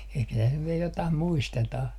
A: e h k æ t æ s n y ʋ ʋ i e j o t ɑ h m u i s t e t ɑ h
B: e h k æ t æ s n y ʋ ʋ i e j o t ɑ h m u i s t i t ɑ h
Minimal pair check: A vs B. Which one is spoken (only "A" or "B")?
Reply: A